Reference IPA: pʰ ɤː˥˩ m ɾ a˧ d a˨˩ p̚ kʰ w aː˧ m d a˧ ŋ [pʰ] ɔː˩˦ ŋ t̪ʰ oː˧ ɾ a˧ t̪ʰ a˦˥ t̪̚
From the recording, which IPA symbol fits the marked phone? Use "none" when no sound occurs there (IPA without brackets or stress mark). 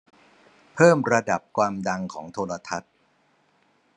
kʰ